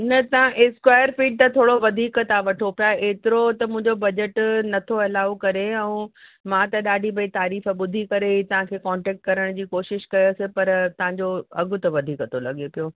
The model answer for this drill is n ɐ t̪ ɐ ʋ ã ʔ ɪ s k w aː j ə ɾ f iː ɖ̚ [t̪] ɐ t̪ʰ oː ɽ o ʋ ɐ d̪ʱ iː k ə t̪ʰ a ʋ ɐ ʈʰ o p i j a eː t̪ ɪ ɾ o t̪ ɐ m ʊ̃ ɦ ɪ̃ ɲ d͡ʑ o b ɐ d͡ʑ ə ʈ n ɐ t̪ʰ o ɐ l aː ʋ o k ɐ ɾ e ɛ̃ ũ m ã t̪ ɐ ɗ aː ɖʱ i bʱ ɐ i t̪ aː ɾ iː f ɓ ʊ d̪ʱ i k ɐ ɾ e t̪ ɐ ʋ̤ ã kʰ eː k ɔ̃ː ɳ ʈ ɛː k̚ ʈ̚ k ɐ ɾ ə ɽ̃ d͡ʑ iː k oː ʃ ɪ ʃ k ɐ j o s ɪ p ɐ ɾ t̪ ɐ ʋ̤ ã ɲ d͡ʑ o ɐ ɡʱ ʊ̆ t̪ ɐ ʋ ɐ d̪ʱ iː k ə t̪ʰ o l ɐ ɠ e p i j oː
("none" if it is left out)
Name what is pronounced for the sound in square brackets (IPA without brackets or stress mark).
t̪